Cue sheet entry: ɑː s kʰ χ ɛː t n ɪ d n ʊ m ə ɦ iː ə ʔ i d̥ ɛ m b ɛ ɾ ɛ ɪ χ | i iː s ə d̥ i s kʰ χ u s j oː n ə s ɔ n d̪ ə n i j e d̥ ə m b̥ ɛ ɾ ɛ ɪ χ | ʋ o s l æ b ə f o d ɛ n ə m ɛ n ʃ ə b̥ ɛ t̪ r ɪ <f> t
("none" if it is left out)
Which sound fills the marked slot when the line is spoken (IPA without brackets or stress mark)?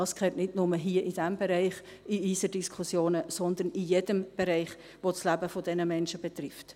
f